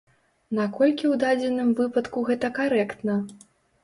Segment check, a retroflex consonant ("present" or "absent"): absent